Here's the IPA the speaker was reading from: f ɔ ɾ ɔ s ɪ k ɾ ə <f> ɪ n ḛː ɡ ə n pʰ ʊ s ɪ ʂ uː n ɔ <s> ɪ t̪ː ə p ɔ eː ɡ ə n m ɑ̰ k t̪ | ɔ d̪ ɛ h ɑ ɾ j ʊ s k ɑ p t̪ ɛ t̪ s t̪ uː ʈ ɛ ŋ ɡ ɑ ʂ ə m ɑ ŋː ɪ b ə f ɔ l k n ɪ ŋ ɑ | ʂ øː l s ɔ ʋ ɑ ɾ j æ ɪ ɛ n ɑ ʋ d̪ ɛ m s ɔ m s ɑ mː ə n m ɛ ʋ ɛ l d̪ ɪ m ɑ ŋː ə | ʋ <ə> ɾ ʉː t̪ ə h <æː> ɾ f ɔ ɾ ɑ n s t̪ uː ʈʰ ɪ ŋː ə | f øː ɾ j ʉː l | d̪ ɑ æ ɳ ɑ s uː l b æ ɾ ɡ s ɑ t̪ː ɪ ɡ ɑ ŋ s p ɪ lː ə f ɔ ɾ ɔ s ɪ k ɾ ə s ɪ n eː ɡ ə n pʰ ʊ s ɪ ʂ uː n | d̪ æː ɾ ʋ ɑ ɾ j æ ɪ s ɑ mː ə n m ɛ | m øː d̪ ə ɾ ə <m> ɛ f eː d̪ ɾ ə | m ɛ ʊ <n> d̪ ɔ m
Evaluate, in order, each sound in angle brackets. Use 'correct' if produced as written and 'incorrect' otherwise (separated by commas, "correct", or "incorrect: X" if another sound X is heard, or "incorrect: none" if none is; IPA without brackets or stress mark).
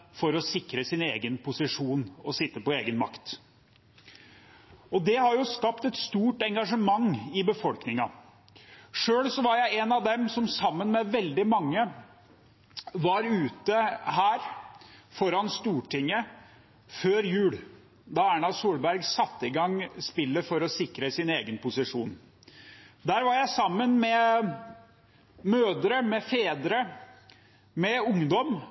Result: incorrect: s, correct, incorrect: ɑ, correct, correct, incorrect: ŋ